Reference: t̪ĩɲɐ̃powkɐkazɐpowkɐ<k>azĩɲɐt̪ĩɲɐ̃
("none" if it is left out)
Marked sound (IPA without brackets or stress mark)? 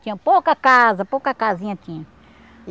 k